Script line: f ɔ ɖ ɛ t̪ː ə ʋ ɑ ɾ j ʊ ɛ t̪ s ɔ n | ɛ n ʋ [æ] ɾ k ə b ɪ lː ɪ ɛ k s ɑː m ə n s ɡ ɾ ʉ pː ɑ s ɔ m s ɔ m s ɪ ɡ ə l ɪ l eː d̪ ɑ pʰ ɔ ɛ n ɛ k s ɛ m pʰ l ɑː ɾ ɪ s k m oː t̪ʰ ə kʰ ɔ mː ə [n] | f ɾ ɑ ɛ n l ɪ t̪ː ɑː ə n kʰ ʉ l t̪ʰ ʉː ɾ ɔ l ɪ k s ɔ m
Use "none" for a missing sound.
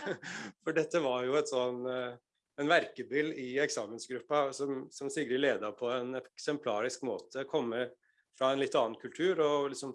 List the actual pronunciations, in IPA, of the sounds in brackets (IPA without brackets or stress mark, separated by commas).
æ, none